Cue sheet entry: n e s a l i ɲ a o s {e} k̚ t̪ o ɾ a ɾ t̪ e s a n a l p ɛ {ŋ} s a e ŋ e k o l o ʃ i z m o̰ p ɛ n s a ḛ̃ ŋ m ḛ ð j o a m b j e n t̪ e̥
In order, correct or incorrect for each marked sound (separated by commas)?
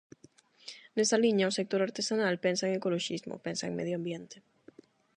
correct, incorrect